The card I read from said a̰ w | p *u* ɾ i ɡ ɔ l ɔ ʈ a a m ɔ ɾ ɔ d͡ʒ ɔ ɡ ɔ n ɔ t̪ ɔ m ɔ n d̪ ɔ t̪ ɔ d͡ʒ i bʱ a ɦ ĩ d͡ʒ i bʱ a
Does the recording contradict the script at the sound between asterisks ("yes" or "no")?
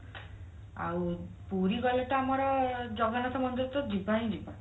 no